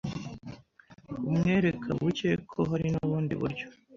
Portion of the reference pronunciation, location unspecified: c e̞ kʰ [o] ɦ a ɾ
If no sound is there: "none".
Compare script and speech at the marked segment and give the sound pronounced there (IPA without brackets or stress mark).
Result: o